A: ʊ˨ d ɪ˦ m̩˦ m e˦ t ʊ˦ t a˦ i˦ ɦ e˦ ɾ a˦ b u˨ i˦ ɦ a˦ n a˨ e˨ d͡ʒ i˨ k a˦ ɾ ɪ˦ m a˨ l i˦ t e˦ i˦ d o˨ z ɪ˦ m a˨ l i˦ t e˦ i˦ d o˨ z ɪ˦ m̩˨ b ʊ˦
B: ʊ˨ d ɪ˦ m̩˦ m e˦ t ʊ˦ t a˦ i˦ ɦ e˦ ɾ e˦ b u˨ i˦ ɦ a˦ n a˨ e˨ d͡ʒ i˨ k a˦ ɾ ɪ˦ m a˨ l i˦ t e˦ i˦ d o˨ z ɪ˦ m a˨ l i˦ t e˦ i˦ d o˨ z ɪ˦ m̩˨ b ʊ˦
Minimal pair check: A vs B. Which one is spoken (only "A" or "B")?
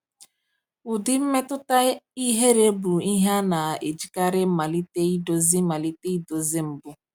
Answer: B